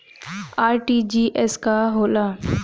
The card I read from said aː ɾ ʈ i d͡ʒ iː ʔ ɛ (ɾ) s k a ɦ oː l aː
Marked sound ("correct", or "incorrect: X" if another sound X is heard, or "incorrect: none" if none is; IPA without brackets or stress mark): incorrect: none